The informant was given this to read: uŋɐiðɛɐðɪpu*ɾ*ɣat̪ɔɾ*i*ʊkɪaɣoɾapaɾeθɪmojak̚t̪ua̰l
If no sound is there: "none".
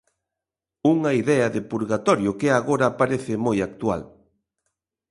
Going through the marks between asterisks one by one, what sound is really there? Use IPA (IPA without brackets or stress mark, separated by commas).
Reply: ɾ, j